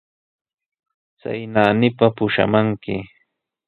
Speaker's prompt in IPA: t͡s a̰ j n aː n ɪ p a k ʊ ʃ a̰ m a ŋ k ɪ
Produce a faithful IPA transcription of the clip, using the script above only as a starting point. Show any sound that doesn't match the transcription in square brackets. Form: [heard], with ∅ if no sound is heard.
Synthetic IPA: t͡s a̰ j n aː n ɪ p a [p] ʊ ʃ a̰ m a ŋ k ɪ